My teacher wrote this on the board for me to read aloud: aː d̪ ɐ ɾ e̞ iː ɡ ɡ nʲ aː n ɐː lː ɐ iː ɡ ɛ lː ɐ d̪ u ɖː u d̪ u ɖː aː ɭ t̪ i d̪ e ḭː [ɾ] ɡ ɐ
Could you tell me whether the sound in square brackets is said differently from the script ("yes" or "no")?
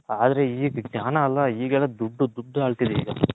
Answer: yes